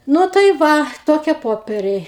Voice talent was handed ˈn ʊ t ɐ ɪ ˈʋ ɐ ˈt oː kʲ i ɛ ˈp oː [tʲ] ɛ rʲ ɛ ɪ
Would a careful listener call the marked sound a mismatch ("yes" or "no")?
yes